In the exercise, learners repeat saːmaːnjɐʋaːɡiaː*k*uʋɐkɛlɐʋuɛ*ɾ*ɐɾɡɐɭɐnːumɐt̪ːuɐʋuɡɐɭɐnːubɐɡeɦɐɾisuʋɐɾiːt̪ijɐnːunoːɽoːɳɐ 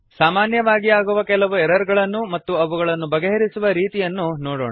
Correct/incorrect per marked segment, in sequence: incorrect, correct

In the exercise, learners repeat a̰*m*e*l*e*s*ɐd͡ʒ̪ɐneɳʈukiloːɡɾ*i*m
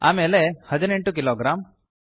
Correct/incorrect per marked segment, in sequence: correct, correct, incorrect, incorrect

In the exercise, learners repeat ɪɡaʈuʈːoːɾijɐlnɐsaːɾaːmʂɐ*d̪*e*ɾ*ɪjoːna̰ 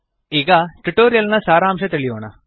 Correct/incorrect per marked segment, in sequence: incorrect, incorrect

